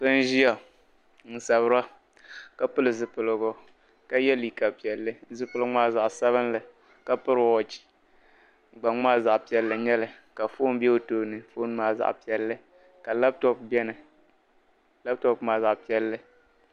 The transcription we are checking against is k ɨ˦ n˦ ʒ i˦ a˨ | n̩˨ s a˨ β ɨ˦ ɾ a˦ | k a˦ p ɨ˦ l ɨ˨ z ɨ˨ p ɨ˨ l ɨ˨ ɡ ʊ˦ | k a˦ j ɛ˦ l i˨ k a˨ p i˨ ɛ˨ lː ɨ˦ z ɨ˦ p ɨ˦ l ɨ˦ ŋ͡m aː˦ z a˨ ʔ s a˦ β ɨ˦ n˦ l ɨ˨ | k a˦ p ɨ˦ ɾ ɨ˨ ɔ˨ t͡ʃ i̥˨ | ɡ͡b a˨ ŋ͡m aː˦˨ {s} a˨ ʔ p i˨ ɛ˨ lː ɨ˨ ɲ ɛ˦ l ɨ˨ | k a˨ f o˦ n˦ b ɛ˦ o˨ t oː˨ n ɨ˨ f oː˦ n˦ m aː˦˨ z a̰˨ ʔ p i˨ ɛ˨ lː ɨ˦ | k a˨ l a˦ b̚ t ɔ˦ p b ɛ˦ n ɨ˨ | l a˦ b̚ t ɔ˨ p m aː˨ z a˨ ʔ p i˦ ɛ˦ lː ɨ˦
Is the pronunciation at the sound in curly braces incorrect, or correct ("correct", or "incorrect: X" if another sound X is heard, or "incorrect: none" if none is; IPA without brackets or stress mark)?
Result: incorrect: z